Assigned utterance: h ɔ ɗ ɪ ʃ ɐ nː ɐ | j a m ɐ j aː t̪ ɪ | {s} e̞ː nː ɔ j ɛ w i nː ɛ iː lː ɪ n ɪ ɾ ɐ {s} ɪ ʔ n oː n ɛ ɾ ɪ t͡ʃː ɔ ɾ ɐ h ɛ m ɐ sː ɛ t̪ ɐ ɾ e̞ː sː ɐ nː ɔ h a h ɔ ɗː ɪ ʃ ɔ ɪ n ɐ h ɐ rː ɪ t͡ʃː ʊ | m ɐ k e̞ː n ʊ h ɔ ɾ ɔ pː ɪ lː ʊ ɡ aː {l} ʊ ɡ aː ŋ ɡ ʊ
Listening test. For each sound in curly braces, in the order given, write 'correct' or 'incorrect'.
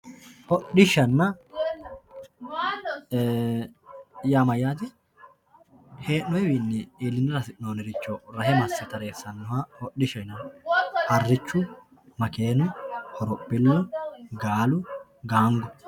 incorrect: h, correct, correct

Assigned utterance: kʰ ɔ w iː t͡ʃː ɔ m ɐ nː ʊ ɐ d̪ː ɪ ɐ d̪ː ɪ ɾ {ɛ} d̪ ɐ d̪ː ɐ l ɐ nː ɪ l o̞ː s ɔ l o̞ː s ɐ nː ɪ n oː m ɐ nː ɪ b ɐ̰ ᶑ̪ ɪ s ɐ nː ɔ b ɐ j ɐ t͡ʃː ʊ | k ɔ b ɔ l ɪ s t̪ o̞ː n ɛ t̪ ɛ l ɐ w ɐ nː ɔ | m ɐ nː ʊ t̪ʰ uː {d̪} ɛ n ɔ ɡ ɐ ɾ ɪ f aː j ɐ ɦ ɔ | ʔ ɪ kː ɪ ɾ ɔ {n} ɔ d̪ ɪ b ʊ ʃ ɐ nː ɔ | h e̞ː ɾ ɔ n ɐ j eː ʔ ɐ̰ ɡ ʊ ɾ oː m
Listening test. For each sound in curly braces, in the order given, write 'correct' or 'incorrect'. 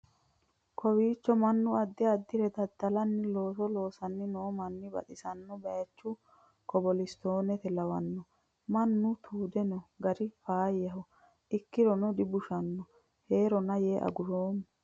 correct, correct, correct

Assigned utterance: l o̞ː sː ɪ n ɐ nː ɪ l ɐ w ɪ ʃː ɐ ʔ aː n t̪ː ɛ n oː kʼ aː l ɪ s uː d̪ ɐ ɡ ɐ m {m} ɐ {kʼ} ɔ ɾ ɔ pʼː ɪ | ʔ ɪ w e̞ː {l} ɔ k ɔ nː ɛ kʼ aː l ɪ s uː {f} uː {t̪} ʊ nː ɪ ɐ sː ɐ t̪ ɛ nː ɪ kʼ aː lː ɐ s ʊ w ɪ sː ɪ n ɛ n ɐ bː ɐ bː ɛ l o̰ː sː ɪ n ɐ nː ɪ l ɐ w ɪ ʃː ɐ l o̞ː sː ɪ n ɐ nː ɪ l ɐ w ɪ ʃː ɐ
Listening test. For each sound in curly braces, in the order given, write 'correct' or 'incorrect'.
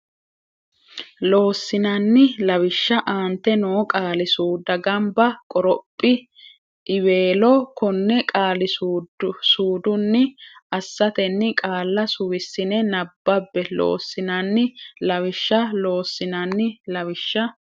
incorrect: b, correct, correct, incorrect: s, incorrect: d̪

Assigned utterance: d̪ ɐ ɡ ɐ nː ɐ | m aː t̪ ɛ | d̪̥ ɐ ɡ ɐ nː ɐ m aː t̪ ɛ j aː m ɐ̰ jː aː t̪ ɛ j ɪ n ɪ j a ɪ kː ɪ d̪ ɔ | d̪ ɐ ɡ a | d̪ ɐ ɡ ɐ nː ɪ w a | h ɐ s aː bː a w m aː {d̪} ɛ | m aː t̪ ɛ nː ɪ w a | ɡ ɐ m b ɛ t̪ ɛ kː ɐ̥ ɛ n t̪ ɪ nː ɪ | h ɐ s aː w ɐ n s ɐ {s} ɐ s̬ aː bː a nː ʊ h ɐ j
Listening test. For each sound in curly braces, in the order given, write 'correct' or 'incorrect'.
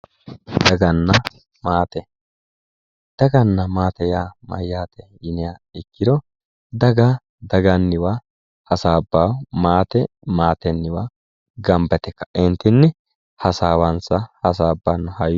incorrect: t̪, incorrect: h

